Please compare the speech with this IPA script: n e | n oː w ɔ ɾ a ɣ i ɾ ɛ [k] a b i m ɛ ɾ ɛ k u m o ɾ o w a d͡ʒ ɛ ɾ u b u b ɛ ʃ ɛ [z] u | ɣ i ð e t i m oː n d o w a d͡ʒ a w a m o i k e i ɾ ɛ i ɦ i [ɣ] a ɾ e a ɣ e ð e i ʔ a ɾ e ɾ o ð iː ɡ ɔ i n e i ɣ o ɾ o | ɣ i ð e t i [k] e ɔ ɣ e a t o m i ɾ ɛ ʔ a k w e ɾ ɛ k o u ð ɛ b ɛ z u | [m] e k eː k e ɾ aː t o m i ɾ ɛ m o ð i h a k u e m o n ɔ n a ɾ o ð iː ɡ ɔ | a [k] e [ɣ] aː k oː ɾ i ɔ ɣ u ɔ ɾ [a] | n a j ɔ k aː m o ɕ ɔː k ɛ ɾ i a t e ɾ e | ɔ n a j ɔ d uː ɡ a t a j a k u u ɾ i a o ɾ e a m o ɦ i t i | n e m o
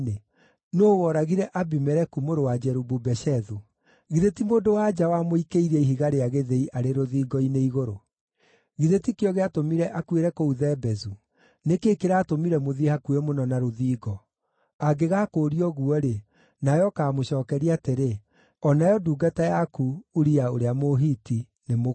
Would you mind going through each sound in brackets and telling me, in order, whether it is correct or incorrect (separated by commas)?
incorrect, incorrect, correct, correct, incorrect, incorrect, correct, incorrect